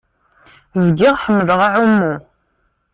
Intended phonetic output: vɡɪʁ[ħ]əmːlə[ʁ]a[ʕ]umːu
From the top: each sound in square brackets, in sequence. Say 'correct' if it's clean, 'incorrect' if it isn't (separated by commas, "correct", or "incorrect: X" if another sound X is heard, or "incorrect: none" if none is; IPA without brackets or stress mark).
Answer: correct, correct, correct